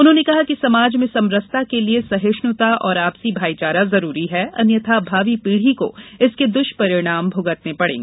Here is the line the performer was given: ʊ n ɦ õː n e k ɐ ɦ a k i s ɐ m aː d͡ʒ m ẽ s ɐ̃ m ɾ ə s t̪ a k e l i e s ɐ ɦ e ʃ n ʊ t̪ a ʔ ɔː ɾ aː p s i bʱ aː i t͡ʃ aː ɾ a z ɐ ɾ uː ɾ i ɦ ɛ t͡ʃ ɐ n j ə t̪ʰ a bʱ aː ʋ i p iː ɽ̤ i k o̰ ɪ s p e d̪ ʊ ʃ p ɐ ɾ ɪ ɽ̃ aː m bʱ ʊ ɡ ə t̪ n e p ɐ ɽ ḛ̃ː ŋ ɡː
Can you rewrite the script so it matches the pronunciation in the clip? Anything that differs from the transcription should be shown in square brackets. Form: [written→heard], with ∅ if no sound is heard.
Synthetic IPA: ʊ n ɦ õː n e k ɐ ɦ a k i s ɐ m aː d͡ʒ m ẽ s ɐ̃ m ɾ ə s t̪ a k e l i e s ɐ ɦ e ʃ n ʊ t̪ a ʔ ɔː ɾ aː p s i bʱ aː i t͡ʃ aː ɾ a z ɐ ɾ uː ɾ i ɦ ɛ [t͡ʃ→∅] ɐ n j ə t̪ʰ a bʱ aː ʋ i p iː ɽ̤ i k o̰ ɪ s [p→k] e d̪ ʊ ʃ p ɐ ɾ ɪ ɽ̃ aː m bʱ ʊ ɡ ə t̪ n e p ɐ ɽ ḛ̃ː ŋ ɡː